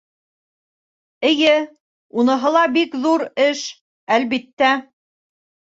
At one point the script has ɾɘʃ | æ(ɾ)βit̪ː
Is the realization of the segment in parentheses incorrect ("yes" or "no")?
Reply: yes